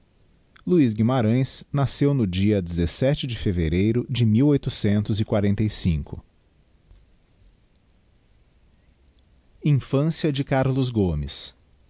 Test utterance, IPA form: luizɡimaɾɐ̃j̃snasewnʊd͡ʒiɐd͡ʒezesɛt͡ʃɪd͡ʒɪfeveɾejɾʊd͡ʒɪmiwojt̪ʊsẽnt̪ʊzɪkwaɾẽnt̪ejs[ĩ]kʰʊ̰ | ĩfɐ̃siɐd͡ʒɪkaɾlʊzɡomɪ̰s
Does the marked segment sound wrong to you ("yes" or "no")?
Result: no